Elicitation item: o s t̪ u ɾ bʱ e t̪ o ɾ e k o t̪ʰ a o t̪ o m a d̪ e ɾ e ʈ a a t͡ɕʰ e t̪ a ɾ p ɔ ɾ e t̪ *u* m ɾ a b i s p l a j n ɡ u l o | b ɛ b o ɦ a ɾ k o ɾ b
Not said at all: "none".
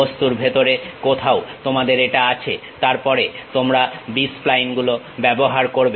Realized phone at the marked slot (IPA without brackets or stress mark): o